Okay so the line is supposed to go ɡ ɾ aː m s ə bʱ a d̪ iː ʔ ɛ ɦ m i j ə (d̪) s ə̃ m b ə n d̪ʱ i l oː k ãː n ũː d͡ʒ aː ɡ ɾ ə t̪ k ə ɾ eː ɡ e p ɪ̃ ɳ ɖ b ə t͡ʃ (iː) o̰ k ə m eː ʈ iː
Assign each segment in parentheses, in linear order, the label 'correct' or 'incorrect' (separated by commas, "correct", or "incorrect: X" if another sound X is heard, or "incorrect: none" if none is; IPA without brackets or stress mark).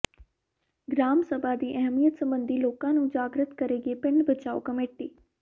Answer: incorrect: t̪, incorrect: aː